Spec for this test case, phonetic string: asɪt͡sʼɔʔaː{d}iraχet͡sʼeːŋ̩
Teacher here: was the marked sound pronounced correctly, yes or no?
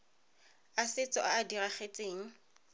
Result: yes